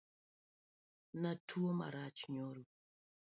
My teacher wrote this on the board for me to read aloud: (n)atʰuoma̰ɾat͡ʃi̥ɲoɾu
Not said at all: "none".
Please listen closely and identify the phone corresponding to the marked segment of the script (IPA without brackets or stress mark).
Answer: n